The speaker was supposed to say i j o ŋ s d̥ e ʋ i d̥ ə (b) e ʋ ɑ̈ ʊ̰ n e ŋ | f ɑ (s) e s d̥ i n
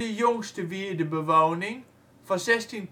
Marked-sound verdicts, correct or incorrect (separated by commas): correct, correct